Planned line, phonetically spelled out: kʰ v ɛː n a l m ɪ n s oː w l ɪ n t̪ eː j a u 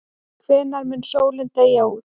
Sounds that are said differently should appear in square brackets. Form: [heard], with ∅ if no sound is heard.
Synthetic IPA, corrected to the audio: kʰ v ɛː n a [ɾ] m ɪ n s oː w l ɪ n t̪ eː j a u

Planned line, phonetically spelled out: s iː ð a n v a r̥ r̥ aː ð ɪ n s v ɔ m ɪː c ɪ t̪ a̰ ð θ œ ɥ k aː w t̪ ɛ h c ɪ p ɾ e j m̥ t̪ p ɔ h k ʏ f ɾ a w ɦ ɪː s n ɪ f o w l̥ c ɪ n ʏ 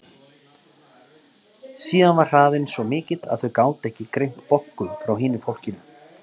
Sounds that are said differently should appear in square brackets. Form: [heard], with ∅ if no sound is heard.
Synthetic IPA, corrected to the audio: s iː ð a n v a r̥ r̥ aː ð ɪ n s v ɔ m ɪː c ɪ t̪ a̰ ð θ œ ɥ k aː w t̪ ɛ h c ɪ [k] ɾ e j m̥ t̪ p ɔ h k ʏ f ɾ a w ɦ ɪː [∅] n ɪ f o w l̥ c ɪ n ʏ

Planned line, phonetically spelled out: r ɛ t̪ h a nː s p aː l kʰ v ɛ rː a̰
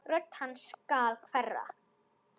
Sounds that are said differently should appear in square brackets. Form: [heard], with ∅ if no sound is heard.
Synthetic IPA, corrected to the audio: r [œ] t̪ h a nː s [k] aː l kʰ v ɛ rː a̰

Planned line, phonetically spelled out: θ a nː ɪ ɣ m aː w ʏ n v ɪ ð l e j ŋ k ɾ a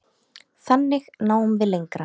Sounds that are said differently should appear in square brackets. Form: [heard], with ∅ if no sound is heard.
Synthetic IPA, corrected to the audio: θ a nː ɪ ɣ [n] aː w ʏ [m] v ɪ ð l e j ŋ k ɾ a

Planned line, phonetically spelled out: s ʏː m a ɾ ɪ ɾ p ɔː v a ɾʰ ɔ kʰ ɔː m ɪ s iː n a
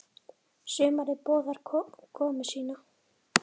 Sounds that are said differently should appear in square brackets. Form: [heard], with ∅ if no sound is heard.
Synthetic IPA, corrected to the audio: s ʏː m a ɾ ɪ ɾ p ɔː [ð] a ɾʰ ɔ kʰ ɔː m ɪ s iː n a

